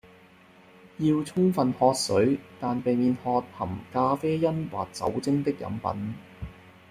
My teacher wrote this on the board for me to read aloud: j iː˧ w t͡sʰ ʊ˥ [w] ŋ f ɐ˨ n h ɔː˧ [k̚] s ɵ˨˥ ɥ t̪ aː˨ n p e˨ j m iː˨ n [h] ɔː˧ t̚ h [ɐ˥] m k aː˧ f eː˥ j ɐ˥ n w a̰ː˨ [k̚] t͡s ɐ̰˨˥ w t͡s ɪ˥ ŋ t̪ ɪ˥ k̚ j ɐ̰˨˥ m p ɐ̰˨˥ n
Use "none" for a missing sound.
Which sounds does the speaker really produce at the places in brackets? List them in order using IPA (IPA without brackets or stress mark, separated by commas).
none, t̚, h, ɐ˨˩, k̚